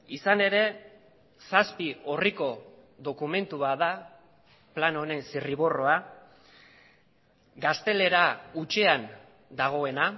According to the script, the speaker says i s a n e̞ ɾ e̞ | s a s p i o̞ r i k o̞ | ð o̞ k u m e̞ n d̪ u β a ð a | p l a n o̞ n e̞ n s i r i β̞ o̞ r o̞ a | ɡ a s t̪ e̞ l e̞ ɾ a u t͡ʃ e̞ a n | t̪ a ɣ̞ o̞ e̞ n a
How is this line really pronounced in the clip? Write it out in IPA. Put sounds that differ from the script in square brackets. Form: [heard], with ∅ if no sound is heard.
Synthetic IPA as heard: i s a n e̞ ɾ e̞ | s a s p i o̞ r i k o̞ | ð o̞ k u m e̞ n [t̪] u β a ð a | p l a n o̞ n e̞ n s i r i β̞ o̞ r o̞ a | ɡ a s t̪ e̞ l e̞ ɾ a u t͡ʃ e̞ a n | [d̪] a ɣ̞ o̞ e̞ n a